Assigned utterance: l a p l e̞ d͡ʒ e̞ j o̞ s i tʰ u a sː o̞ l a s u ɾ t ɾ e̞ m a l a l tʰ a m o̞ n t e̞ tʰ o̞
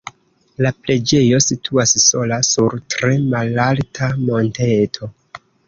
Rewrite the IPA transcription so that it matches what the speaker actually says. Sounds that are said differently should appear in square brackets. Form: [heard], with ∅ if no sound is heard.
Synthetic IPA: l a p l e̞ d͡ʒ e̞ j o̞ s i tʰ u a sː o̞ l a s u ɾ t ɾ e̞ m a l a l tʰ a m o̞ n t e̞ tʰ o̞